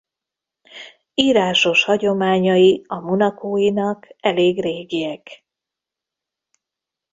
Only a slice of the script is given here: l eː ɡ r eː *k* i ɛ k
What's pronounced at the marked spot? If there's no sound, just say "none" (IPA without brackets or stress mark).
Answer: ɡ